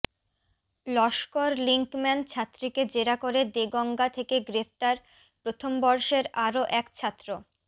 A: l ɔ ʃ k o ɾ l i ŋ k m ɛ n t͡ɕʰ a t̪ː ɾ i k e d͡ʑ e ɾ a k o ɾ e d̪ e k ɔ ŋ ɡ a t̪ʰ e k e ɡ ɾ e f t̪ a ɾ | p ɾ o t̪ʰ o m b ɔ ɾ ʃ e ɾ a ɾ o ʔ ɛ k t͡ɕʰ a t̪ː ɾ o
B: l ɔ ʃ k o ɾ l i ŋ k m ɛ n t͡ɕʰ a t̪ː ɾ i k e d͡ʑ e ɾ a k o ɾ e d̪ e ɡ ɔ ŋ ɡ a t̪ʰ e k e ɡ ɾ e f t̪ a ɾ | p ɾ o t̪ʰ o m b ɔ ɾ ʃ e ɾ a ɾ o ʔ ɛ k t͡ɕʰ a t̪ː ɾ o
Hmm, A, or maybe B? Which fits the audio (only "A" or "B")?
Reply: B